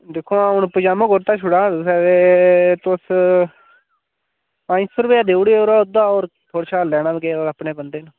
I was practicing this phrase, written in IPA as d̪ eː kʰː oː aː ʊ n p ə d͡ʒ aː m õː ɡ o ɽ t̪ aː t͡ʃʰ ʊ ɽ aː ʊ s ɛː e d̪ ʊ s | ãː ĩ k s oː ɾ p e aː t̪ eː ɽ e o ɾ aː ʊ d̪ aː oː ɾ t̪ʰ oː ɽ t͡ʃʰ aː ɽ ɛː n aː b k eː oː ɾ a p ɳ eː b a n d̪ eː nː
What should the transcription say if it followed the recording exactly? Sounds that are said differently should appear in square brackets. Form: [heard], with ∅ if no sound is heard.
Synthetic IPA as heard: d̪ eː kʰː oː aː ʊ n p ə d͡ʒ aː m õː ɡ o [ɾ] t̪ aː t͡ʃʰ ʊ ɽ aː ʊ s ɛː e [t̪] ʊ s | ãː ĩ [∅] s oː ɾ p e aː [d̪] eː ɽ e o ɾ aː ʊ d̪ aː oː ɾ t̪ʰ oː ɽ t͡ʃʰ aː [l] ɛː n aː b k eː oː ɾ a p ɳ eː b [ə] n d̪ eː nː